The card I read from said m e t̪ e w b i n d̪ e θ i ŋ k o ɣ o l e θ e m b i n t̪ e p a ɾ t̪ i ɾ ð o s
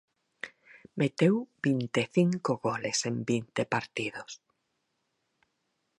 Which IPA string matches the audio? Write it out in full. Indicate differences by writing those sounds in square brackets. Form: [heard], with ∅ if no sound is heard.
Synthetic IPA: m e t̪ e w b i n [t̪] e θ i ŋ k o ɣ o l e [s] e m b i n t̪ e p a ɾ t̪ i [∅] ð o s